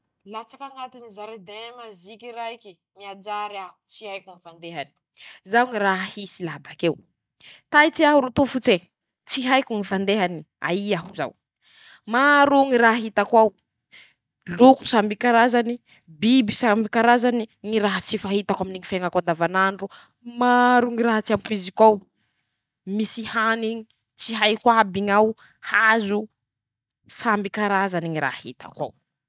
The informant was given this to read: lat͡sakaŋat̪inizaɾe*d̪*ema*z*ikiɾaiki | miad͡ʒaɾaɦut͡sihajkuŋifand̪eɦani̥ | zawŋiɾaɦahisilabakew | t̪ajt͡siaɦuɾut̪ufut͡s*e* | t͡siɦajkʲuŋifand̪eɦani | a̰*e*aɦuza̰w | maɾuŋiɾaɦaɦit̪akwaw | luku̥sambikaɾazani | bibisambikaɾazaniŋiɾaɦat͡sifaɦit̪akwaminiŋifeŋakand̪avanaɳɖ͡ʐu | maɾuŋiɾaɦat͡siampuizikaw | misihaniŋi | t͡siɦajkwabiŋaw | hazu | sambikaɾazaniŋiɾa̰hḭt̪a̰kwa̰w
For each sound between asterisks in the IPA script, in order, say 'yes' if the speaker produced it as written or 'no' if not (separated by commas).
yes, yes, yes, no